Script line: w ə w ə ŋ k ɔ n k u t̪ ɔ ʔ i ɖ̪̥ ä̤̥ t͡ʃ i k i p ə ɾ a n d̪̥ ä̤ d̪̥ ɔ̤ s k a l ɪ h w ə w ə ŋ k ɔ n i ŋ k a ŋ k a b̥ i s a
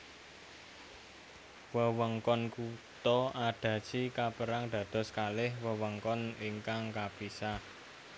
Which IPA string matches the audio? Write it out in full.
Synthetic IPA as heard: w ə w ə ŋ k ɔ n k u t̪ ɔ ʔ a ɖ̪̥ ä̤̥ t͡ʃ i k a p ə ɾ a ŋ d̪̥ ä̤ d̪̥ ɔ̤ s k a l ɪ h w ə w ə ŋ k ɔ n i ŋ k a ŋ k a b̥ i s a